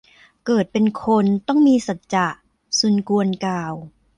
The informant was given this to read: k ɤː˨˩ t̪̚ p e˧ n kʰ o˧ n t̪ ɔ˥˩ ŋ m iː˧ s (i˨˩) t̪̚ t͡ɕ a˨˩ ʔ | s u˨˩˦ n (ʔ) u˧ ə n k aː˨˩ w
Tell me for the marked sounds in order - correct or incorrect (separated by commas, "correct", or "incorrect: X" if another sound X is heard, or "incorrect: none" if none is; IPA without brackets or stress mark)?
incorrect: a˨˩, incorrect: k